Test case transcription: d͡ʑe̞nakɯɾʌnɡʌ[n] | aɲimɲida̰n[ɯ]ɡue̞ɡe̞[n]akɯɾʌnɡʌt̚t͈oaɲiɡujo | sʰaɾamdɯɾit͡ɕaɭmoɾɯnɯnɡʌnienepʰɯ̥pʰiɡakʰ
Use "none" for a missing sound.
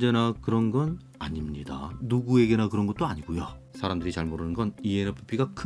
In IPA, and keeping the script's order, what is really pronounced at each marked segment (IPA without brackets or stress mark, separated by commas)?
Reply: n, u, n